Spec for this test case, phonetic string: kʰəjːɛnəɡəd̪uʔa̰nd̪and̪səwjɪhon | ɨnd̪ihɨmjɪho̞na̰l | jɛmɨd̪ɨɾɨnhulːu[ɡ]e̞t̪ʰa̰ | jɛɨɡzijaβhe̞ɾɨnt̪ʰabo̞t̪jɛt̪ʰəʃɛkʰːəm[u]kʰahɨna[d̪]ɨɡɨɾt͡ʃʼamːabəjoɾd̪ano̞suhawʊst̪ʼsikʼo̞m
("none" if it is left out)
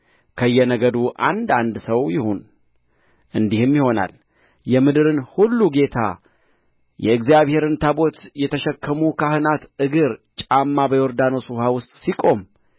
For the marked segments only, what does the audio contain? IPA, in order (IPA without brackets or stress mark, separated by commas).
ɡ, u, t̪